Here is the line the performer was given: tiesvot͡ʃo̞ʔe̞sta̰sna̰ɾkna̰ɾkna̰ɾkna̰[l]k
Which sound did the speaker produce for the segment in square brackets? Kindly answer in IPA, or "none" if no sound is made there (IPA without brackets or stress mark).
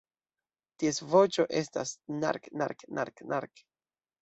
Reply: ɾ